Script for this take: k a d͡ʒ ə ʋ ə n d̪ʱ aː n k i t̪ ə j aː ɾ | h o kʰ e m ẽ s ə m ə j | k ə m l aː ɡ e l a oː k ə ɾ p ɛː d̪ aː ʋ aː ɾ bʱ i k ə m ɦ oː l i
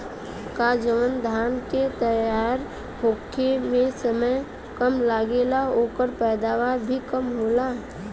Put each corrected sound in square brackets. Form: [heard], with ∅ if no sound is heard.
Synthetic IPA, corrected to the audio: k a d͡ʒ ə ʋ ə n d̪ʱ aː n k [e] t̪ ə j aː ɾ | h o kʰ e m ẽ s ə m ə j | k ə m l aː ɡ e l a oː k ə ɾ p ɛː d̪ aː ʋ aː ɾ bʱ i k ə m ɦ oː l [a]